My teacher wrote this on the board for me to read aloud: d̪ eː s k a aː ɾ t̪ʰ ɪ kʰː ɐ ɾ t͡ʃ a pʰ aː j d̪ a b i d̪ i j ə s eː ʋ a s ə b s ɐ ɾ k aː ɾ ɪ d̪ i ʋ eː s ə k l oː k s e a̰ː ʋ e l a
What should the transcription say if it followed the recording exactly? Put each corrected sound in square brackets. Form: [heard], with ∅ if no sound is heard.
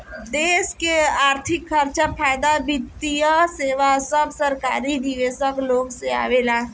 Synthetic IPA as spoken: d̪ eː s k [e] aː ɾ t̪ʰ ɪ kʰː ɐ ɾ t͡ʃ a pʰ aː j d̪ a b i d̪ i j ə s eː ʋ a s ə b s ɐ ɾ k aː ɾ [i] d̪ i ʋ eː s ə k l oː [ɡ] s e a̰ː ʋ e l a